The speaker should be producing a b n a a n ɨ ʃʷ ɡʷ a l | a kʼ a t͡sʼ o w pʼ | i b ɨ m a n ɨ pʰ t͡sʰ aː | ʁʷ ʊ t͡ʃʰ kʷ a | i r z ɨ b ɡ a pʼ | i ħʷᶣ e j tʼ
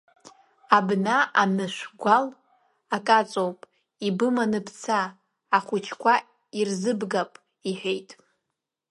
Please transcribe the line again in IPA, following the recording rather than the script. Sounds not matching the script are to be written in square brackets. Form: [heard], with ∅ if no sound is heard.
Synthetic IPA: a b n a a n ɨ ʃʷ ɡʷ a l | a kʼ a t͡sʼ o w pʼ | i b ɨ m a n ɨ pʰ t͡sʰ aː | [χʷ] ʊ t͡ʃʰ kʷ a | i r z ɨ b ɡ a pʼ | i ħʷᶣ e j tʼ